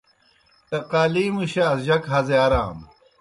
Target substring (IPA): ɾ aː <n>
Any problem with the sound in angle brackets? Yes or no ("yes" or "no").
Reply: yes